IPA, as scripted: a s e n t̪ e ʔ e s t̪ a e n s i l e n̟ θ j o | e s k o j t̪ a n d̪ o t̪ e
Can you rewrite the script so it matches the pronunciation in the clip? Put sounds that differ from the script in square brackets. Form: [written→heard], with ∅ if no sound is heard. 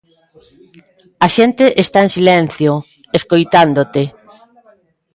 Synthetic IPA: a [s→ʃ] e n t̪ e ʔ e s t̪ a e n s i l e n̟ θ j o | e s k o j t̪ a n d̪ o t̪ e